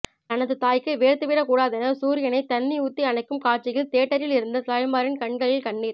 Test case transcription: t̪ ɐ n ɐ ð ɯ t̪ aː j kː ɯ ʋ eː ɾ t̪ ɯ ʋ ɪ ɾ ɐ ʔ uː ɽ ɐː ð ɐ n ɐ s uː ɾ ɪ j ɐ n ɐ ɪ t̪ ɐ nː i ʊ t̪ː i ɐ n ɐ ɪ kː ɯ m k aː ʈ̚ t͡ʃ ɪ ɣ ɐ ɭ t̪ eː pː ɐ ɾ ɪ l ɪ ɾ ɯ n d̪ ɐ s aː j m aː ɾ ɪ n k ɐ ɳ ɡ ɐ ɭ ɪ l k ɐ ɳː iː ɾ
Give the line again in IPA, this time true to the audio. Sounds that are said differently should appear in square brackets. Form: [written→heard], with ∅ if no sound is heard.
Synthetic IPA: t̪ ɐ n ɐ ð ɯ t̪ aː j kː ɯ ʋ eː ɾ t̪ ɯ ʋ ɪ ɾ ɐ [ʔ→k] uː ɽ [ɐː→aː] ð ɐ n ɐ s uː ɾ ɪ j ɐ n ɐ ɪ t̪ ɐ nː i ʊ t̪ː i ɐ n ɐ ɪ kː ɯ m k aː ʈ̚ t͡ʃ ɪ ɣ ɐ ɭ t̪ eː [pː→ʈː] ɐ ɾ ɪ l ɪ ɾ ɯ n d̪ ɐ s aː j m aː ɾ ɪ n k ɐ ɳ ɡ ɐ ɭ ɪ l k ɐ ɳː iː ɾ